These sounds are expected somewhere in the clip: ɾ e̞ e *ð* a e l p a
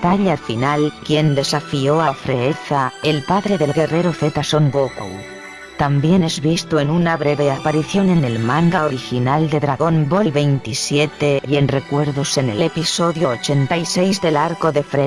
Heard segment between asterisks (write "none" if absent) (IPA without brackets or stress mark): θ